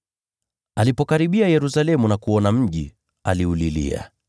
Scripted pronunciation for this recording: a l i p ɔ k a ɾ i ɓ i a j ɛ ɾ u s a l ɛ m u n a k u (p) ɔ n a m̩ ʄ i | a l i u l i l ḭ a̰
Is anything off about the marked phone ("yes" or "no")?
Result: yes